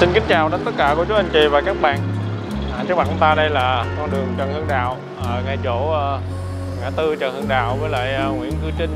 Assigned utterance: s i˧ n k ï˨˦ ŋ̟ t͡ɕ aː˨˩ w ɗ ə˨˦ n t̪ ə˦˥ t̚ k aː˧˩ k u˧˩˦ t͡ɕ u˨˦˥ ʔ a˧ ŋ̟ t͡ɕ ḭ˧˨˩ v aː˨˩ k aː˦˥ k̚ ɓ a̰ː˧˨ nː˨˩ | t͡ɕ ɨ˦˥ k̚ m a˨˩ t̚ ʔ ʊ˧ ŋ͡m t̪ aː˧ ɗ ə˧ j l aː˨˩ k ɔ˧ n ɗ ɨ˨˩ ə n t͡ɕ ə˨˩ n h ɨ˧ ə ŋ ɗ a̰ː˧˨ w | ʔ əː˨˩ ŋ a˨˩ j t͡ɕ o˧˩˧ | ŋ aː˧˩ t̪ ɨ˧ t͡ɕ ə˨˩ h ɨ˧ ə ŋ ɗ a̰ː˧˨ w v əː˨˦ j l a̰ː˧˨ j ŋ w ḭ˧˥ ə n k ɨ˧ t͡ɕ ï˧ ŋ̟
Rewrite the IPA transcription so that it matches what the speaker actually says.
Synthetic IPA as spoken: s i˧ n k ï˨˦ ŋ̟ t͡ɕ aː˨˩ w ɗ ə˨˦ n t̪ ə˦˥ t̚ k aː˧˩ k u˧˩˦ t͡ɕ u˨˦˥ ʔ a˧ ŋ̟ t͡ɕ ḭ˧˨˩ v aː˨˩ k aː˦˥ k̚ ɓ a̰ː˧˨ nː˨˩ | t͡ɕ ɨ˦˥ k̚ m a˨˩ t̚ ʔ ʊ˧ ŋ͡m t̪ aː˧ ɗ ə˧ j l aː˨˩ k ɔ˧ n ɗ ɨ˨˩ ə ŋ t͡ɕ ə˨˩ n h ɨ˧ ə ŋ ɗ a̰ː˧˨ w | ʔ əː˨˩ ŋ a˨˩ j t͡ɕ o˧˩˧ | ŋ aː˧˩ t̪ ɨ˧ t͡ɕ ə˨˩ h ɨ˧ ə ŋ ɗ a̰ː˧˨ w v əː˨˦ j l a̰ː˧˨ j ŋ w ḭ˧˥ ə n k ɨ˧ t͡ɕ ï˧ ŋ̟